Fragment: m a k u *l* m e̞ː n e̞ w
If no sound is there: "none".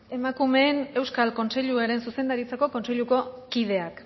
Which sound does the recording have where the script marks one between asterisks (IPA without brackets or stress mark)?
none